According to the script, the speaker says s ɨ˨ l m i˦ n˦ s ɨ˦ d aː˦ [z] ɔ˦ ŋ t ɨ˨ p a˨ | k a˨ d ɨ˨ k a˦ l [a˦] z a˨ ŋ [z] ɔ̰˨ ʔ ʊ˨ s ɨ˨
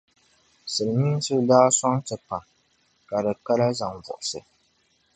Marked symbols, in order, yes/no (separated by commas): no, yes, no